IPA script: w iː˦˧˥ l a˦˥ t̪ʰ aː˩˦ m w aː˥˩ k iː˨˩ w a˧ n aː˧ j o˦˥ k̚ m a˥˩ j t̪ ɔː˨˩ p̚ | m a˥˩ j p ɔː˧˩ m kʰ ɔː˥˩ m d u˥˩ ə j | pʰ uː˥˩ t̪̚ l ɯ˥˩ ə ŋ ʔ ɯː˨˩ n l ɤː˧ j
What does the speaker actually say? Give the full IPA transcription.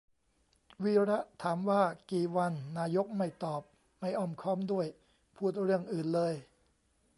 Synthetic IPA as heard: w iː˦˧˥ ɾ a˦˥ t̪ʰ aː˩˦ m w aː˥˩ k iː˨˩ w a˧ nː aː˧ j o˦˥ k̚ m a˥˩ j t̪ ɔː˨˩ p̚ | m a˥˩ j ʔ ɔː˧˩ m kʰ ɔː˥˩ m d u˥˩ ə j | pʰ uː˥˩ t̪̚ ɾ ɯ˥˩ ə ŋ ʔ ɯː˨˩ n l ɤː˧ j